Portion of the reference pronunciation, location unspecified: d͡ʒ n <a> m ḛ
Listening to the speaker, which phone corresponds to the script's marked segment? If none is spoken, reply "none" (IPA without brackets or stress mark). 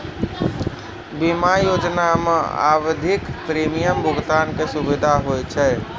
a